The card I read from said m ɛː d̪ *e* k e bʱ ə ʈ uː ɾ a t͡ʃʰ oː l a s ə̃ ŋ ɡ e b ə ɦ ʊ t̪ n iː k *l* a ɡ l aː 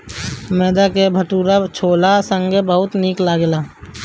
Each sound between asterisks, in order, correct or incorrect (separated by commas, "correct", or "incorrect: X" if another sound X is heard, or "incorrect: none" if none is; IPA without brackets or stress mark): incorrect: a, correct